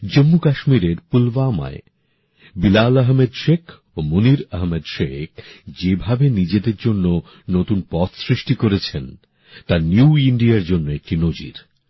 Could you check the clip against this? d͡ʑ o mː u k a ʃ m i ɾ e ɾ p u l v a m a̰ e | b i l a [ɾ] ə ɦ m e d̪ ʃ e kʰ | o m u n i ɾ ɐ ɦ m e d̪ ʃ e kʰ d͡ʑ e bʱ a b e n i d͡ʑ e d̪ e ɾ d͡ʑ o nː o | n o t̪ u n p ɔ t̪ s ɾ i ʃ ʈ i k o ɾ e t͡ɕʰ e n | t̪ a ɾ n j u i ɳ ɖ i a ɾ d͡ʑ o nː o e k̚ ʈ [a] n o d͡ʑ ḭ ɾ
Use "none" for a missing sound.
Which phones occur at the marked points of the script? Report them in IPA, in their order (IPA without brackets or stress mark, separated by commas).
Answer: l, i